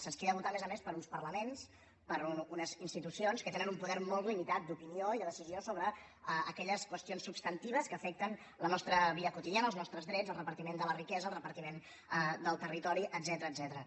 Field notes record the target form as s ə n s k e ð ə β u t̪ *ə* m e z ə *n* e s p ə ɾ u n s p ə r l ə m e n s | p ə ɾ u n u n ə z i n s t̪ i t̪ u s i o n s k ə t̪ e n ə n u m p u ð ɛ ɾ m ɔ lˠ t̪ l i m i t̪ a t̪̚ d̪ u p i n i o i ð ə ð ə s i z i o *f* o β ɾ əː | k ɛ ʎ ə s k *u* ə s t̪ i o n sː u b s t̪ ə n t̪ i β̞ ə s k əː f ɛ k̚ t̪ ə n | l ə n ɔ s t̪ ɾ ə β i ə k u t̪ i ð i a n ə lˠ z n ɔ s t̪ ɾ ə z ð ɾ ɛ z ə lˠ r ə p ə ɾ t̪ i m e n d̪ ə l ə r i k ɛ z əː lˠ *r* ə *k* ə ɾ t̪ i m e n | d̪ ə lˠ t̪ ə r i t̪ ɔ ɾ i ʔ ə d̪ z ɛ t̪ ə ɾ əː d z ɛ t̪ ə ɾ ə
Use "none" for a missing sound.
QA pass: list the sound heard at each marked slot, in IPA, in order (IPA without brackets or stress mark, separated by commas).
a, m, s, w, r, p